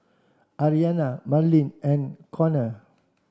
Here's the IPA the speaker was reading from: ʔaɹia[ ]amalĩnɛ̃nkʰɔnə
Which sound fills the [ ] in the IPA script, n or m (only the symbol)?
n